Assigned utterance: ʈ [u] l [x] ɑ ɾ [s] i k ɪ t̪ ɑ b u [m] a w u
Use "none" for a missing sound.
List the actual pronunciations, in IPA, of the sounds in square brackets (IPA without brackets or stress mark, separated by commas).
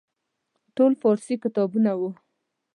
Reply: o, f, s, n